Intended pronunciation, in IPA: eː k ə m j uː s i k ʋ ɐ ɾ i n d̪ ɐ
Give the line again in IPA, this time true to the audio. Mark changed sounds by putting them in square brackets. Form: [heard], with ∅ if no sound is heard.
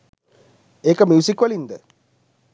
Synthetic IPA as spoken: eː k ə m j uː s i k ʋ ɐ [l] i n d̪ [ə]